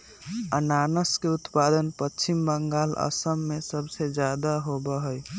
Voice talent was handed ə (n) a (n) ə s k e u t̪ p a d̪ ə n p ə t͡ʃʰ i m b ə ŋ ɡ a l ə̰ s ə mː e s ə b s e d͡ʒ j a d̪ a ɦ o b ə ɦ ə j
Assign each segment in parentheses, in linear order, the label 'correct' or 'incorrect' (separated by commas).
correct, correct